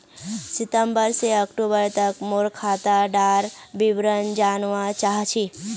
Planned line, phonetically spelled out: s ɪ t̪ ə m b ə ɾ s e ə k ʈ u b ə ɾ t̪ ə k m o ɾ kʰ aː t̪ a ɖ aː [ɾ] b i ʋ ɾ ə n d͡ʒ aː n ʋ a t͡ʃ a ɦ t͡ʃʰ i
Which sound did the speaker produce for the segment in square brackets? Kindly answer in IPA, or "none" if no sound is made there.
ɾ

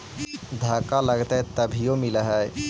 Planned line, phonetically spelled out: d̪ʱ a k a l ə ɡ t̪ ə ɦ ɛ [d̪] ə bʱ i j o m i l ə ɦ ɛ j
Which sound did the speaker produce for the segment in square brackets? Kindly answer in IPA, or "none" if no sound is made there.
t̪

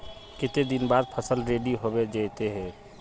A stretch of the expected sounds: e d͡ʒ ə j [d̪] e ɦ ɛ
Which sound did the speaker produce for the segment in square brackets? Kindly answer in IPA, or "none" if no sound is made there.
t̪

